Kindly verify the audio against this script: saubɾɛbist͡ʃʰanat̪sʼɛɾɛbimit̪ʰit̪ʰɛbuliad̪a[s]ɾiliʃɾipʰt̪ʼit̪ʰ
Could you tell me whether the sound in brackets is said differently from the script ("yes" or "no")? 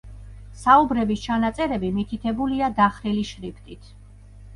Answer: yes